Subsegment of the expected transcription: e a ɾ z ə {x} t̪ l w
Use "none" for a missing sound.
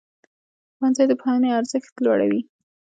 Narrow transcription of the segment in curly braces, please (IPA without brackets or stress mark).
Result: x